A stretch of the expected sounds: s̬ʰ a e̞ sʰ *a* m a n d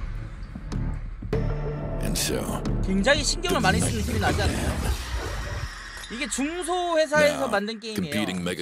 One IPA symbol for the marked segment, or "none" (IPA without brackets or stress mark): ʌ